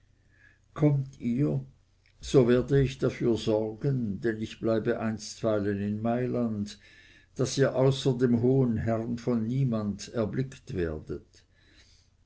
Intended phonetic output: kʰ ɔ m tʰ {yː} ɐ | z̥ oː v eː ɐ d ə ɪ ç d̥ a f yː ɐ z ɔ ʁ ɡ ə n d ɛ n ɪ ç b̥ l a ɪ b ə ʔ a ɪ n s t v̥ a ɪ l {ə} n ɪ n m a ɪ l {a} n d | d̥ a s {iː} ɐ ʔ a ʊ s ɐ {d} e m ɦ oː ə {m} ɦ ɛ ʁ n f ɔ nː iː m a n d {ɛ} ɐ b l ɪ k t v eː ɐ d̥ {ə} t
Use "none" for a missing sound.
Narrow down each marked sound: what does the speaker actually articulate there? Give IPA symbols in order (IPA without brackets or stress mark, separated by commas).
iː, ə, a, iː, d, n, ɛ, ə